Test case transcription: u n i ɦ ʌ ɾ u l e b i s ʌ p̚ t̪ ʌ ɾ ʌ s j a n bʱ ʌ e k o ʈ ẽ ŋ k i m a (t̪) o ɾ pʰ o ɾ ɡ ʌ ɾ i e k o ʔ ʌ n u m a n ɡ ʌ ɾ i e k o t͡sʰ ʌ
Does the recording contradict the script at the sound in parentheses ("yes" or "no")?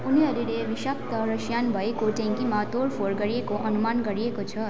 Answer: no